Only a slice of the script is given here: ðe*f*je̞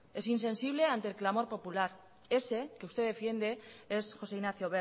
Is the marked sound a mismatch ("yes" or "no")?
no